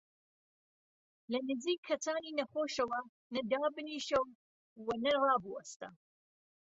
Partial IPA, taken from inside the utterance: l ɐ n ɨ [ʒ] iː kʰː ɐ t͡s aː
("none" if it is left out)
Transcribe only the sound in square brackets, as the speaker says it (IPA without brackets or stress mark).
z